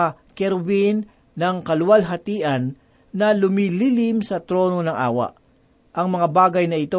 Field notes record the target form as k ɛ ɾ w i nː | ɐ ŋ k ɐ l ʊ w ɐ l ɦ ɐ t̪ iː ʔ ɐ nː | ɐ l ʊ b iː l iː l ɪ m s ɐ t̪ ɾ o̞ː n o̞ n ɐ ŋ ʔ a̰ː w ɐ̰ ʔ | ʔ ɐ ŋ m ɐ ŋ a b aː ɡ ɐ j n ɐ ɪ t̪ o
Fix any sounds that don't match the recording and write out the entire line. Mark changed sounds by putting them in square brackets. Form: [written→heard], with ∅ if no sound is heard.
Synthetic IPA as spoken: k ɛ ɾ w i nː | ɐ ŋ k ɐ l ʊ w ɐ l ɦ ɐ t̪ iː ʔ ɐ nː | ɐ l ʊ [b→m] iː l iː l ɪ m s ɐ t̪ ɾ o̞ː n o̞ n ɐ ŋ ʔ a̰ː w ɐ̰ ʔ | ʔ ɐ ŋ m ɐ ŋ a b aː ɡ ɐ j n ɐ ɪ t̪ o